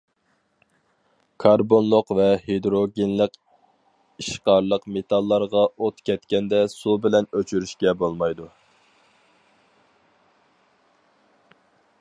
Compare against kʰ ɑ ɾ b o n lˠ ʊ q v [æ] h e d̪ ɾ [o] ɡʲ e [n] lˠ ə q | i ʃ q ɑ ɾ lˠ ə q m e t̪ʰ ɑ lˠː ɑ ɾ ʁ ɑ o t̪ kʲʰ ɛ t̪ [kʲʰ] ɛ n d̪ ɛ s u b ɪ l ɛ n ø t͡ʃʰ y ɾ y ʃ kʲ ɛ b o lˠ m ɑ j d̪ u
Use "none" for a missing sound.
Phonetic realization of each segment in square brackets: ɛ, o, n, kʲ

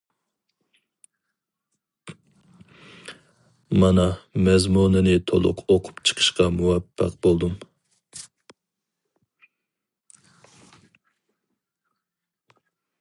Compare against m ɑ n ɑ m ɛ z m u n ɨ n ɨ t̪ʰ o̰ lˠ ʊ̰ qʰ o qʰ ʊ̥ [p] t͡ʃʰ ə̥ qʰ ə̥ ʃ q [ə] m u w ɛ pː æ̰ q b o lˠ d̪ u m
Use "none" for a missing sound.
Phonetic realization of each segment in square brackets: p, ɑ

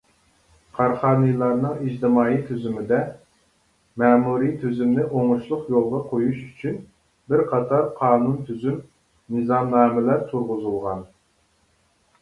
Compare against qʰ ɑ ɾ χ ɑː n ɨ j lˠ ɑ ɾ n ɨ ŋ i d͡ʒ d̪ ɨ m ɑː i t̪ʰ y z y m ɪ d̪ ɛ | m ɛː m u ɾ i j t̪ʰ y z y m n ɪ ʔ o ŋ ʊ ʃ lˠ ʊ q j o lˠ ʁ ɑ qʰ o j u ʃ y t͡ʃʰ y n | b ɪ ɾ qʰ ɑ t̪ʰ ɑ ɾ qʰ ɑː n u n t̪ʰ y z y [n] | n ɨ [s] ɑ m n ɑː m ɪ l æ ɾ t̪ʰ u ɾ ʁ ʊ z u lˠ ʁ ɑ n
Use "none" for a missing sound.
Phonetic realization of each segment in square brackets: m, z

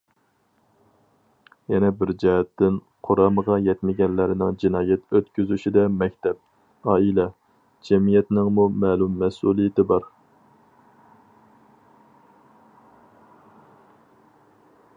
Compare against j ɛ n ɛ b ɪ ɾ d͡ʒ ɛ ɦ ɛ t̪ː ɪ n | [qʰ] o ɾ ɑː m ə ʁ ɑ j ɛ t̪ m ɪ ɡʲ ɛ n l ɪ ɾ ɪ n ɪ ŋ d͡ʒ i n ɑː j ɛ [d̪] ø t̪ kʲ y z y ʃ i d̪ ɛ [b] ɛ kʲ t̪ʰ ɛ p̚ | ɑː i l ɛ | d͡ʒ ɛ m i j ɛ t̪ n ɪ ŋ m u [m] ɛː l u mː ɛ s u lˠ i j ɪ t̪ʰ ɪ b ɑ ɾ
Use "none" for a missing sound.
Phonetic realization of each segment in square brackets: qʰ, t̪, m, m

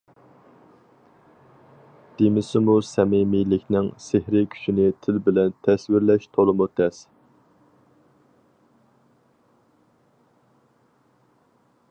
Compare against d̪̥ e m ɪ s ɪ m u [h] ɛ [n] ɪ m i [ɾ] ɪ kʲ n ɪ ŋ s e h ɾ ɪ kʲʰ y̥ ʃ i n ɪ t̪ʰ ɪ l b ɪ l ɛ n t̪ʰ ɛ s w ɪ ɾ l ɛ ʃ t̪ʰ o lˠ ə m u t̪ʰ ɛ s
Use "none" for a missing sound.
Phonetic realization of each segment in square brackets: s, m, l

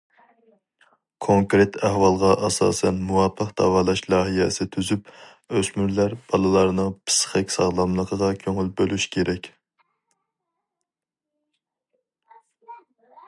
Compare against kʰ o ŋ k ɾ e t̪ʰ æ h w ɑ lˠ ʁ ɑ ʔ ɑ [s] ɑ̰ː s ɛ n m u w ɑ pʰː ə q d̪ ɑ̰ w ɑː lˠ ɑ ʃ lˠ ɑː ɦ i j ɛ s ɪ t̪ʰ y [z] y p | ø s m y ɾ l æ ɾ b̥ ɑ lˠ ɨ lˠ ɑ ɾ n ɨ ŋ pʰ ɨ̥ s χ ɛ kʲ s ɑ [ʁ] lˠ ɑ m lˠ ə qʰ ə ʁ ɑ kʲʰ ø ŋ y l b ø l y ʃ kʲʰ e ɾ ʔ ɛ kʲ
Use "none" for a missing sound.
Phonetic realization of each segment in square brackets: s, z, ʁ

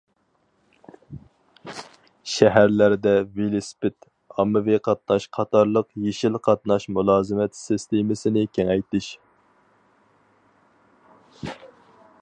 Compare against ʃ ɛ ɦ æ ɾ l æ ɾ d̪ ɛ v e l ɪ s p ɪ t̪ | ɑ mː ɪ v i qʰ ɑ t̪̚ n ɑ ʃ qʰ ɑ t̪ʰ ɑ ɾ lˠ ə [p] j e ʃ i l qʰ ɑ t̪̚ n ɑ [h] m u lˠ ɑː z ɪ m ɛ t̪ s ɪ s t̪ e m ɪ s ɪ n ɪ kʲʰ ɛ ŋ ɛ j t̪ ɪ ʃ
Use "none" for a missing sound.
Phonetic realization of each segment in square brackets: q, ʃ

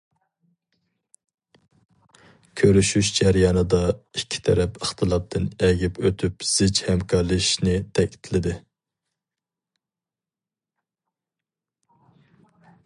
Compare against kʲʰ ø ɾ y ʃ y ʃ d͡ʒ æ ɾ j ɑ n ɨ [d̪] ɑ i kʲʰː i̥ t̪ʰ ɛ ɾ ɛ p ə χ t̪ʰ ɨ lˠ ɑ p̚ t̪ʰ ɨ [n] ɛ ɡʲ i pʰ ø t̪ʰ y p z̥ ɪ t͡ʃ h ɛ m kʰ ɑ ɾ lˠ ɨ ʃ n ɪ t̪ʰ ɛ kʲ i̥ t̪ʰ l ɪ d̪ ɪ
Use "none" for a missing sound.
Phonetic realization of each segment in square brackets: d̪, n

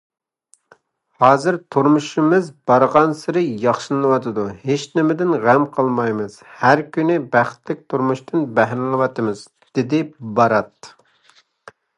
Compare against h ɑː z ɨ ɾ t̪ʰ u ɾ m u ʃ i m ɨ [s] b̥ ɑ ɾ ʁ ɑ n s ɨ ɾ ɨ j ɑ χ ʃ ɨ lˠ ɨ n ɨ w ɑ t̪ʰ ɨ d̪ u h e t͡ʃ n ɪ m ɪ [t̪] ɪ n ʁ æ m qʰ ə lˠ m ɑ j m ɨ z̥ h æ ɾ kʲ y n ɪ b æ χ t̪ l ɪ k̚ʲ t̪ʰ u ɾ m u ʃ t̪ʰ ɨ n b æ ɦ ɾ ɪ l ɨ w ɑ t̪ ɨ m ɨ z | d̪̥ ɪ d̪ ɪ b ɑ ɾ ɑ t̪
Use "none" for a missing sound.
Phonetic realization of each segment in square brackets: z, d̪

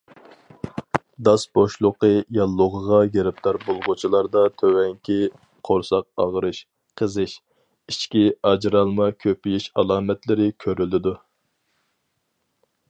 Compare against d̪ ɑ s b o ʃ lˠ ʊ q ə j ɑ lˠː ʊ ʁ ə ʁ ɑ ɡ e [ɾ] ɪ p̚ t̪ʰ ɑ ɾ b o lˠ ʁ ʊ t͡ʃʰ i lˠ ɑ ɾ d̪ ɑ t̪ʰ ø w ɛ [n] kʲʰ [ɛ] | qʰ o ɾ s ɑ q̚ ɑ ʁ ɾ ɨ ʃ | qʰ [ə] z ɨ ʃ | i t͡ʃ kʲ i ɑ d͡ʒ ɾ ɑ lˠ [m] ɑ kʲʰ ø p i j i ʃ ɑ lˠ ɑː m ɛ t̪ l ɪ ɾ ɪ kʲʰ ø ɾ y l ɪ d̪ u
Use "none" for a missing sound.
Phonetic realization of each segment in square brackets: ɾ, ŋ, i, ə, m

